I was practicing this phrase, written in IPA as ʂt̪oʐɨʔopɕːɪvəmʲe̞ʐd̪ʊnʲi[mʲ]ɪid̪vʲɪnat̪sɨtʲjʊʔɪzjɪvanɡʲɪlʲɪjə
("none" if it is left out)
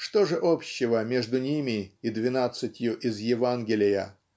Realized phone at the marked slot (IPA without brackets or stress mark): mʲ